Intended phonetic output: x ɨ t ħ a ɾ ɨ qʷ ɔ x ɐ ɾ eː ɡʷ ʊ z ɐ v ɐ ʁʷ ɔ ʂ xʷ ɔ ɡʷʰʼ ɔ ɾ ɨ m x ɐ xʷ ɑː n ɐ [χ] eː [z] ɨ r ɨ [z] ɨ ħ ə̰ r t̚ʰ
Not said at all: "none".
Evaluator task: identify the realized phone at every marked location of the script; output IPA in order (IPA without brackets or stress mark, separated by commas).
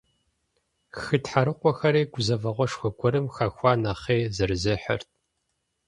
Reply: χ, z, z